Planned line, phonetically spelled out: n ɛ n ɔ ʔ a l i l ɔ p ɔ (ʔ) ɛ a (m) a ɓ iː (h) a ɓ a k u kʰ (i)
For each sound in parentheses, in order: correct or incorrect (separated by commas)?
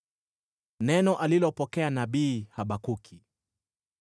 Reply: incorrect, incorrect, correct, correct